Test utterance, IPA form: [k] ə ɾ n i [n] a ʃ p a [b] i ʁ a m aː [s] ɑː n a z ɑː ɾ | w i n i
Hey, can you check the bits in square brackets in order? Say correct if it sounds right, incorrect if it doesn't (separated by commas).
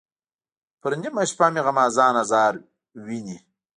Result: incorrect, incorrect, incorrect, incorrect